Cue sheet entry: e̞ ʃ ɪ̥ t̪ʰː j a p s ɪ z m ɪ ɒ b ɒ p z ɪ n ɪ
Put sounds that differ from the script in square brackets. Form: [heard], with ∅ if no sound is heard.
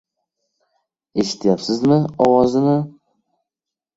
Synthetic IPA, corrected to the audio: e̞ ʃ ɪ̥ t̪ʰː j a p s ɪ z m ɪ ɒ [w] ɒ [∅] z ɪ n ɪ

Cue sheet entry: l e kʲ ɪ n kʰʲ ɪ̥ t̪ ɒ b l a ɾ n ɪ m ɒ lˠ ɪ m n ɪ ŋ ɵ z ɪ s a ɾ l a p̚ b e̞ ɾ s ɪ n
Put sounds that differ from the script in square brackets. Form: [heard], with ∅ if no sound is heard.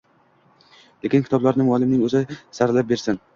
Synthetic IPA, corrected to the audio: l e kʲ ɪ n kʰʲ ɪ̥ t̪ ɒ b l a ɾ n ɪ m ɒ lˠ ɪ m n ɪ ŋ ɵ z ɪ s a ɾ l a p̚ b e̞ ɾ s ɪ n

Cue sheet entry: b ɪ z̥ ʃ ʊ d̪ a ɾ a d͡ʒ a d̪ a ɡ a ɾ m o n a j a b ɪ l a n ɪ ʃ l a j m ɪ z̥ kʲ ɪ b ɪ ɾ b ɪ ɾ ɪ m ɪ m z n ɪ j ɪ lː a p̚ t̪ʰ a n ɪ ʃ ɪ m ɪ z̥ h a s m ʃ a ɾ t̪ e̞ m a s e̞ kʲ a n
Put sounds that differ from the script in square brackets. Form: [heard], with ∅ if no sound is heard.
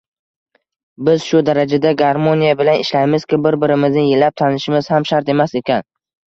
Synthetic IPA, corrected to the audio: b ɪ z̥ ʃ ʊ d̪ a ɾ a d͡ʒ a d̪ a ɡ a ɾ m o n [i] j a b ɪ l a n ɪ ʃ l a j m ɪ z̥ kʲ ɪ b ɪ ɾ b ɪ ɾ ɪ m ɪ [∅] z n ɪ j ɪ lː a p̚ t̪ʰ a n ɪ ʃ ɪ m ɪ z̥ h a [∅] m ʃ a ɾ t̪ e̞ m a s e̞ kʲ a n

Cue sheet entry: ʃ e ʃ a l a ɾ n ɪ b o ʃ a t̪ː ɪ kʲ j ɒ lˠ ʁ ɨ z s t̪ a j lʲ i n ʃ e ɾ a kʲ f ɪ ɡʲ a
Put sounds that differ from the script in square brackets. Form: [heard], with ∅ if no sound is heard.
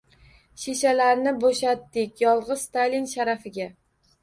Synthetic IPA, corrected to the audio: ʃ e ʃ a l a ɾ n ɪ b o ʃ a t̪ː ɪ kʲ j ɒ lˠ ʁ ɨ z s t̪ a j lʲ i n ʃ [a] ɾ a [∅] f ɪ ɡʲ a

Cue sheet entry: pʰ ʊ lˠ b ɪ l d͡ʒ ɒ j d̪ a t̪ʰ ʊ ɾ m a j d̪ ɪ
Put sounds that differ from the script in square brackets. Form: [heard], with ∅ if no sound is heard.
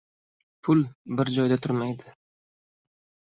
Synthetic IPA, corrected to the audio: pʰ ʊ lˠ b ɪ [ɾ] d͡ʒ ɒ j d̪ a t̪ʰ ʊ ɾ m a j d̪ ɪ

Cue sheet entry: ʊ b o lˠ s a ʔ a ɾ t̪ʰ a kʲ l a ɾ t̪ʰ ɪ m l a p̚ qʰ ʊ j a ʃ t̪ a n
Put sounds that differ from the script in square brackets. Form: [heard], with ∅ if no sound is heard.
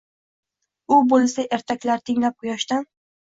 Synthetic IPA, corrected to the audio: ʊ b o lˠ s a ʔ [e] ɾ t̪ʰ a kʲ l a ɾ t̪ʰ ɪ [ŋ] l a p̚ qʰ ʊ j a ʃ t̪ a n

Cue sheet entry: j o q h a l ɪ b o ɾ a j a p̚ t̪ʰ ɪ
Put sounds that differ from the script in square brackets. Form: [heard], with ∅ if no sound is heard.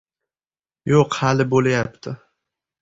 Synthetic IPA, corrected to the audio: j o q h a l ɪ b o [l] a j a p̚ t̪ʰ ɪ

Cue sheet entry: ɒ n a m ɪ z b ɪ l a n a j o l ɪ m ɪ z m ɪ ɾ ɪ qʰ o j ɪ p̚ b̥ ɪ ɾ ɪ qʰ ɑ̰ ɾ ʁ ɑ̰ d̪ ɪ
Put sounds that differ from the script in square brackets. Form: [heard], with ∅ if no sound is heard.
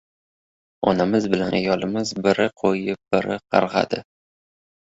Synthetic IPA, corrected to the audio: ɒ n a m ɪ z b ɪ l a n a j [ɒ] l ɪ m ɪ z [b] ɪ ɾ ɪ qʰ o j ɪ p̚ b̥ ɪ ɾ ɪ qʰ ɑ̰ ɾ ʁ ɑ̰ d̪ ɪ

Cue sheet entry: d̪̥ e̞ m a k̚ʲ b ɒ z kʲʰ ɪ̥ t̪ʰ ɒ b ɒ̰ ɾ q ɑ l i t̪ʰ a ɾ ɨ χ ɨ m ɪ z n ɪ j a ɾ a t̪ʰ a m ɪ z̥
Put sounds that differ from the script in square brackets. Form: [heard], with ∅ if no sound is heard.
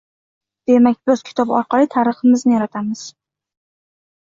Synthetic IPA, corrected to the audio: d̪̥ e̞ m a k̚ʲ b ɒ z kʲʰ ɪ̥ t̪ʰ ɒ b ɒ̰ ɾ q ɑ l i t̪ʰ a ɾ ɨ χ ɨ m ɪ z n ɪ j a ɾ a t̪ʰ a m ɪ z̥

